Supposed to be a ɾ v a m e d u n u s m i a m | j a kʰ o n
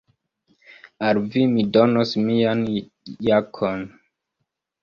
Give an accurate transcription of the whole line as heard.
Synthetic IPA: a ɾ v i m i d o n o s m i a n | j a kʰ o n